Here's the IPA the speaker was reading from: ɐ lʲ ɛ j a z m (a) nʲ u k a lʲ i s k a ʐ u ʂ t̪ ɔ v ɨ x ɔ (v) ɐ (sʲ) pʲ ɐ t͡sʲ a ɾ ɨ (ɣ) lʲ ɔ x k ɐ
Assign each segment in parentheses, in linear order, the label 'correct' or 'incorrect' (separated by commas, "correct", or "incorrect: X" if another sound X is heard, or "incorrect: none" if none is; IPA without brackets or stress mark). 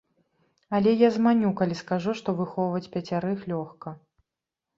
correct, correct, incorrect: t͡sʲ, incorrect: x